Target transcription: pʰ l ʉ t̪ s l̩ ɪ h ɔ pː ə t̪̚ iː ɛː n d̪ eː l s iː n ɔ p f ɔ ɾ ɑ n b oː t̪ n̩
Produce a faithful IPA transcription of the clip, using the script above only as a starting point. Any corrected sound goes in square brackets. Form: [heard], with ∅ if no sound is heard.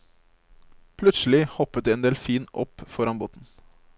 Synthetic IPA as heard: pʰ l ʉ t̪ s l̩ ɪ h ɔ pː ə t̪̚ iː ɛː n d̪ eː l [f] iː n ɔ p f ɔ ɾ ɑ n b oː t̪ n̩